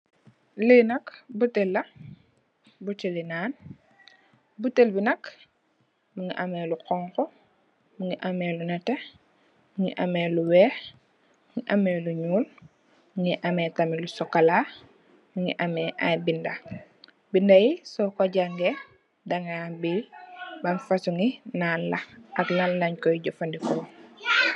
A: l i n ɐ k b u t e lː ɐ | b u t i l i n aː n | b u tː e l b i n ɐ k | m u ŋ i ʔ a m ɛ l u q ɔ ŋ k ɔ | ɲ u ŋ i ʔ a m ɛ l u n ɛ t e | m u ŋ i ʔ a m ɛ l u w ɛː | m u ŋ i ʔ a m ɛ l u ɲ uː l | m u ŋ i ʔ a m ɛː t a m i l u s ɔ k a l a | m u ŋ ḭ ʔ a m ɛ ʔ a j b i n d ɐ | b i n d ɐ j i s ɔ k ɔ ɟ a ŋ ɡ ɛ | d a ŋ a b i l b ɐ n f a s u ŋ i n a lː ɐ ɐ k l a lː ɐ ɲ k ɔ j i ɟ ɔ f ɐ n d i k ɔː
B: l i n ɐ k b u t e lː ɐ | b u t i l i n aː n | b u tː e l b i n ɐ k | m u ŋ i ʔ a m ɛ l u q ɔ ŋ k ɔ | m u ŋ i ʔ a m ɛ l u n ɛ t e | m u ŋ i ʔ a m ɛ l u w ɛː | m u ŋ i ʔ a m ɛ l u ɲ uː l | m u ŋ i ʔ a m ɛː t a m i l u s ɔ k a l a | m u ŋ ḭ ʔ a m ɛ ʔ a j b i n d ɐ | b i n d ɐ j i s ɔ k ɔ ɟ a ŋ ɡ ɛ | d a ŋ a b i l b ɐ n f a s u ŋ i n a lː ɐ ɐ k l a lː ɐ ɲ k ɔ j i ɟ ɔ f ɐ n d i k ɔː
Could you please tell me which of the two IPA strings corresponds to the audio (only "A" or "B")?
B